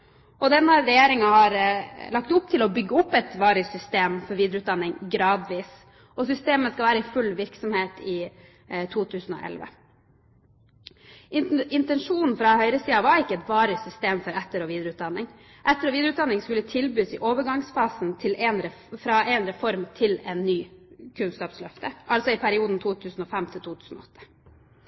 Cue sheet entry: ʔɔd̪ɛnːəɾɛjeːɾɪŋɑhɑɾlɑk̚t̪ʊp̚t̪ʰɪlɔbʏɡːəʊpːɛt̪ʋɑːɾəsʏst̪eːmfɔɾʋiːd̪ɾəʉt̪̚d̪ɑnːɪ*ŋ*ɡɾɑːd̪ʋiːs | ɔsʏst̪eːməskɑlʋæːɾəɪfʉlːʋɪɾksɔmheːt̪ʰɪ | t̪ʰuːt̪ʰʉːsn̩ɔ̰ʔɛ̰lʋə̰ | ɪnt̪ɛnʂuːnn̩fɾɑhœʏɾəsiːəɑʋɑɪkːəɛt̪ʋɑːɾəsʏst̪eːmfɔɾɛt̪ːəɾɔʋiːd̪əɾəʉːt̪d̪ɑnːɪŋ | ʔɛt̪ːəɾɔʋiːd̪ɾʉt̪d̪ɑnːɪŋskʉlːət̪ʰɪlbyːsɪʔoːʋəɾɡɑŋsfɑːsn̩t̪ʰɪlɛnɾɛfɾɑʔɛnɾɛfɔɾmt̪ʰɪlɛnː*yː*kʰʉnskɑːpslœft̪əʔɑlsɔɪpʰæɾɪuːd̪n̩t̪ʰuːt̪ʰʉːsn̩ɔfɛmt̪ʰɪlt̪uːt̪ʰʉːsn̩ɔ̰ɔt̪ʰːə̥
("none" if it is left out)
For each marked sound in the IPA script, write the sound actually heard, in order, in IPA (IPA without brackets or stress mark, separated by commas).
ŋ, yː